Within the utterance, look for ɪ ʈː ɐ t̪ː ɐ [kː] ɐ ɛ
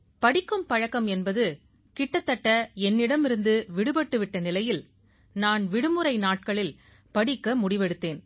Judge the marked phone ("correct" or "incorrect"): incorrect